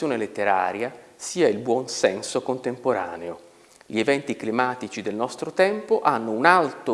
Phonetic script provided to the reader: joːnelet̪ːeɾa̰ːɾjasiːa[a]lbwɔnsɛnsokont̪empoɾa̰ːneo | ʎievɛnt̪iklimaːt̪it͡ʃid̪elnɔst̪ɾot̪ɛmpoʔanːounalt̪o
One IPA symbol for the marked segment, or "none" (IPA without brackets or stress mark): i